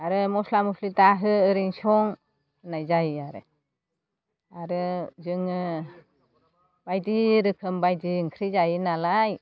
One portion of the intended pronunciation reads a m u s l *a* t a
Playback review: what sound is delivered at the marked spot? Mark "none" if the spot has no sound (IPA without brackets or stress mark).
i